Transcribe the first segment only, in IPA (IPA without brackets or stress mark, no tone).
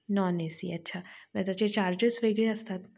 n